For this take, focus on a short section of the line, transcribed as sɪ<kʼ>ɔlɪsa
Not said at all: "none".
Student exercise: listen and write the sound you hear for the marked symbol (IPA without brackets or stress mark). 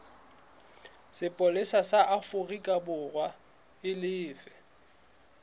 pʼ